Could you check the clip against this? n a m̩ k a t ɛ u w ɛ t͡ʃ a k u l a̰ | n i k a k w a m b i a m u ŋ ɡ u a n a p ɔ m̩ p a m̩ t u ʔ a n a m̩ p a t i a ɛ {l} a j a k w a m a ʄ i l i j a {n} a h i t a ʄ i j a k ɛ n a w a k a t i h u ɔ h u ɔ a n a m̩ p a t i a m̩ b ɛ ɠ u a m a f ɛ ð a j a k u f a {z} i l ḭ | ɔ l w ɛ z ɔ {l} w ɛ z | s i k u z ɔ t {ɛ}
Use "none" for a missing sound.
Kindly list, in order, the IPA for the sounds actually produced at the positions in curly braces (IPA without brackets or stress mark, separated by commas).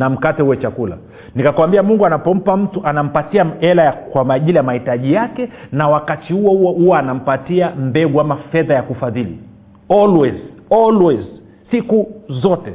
l, m, ð, l, ɛ